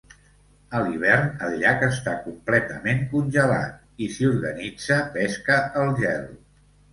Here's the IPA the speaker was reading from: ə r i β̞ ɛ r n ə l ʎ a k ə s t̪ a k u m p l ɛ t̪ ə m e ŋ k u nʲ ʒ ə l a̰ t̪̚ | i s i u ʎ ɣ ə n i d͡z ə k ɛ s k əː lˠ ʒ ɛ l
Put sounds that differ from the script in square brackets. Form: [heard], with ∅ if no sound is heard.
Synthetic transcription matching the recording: ə [l] i β̞ ɛ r n ə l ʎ a k ə s t̪ a k u m p l ɛ t̪ ə m e ŋ k u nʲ ʒ ə l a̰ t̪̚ | i s i u [ɾ] ɣ ə n i d͡z ə [p] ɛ s k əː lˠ ʒ ɛ l